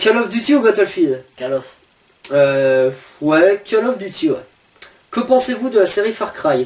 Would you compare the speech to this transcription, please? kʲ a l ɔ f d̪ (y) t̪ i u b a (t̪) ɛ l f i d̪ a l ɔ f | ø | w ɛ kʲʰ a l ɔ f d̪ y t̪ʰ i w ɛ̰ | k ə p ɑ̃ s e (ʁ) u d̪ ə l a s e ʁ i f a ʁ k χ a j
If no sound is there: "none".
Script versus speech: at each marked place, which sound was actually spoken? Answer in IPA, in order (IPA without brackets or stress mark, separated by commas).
y, t̪, v